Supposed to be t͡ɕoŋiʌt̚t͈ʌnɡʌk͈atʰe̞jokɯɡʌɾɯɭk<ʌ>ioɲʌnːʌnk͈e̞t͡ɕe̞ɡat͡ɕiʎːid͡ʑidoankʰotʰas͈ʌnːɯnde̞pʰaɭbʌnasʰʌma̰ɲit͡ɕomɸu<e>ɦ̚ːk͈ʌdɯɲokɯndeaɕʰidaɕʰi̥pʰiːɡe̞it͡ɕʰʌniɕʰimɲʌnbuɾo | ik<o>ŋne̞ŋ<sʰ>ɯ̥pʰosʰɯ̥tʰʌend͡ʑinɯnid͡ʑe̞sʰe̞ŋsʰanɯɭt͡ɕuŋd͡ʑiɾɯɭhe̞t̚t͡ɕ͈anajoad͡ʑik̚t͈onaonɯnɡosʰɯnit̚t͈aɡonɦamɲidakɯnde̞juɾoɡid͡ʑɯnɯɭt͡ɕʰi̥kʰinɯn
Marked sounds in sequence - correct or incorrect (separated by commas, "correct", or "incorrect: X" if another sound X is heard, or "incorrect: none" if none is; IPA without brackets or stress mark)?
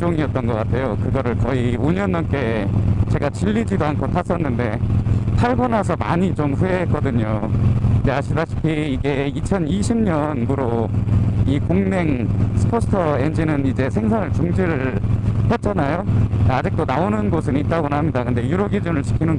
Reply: correct, correct, correct, correct